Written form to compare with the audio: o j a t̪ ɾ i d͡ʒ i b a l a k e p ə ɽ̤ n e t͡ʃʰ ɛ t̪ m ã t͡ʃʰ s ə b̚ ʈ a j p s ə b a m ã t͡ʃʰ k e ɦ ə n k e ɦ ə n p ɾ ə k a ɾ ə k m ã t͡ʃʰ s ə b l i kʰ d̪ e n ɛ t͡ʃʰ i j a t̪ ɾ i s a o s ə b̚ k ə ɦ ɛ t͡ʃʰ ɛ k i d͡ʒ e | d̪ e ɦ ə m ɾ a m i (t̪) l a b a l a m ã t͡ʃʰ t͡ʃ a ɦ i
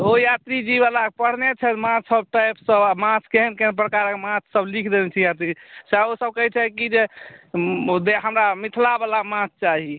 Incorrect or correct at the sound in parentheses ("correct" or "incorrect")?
incorrect